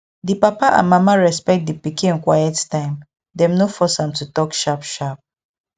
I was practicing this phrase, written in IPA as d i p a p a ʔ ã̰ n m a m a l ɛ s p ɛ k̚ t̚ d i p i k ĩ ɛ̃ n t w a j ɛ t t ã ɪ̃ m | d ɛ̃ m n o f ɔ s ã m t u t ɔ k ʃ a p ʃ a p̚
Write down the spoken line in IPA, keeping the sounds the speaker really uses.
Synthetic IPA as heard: d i p a p a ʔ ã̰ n m a m a ɹ ɛ s p ɛ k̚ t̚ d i p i k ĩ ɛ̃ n k w a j ɛ t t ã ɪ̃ m | d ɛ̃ m n o f ɔ s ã m t u t ɔ k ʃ a p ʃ a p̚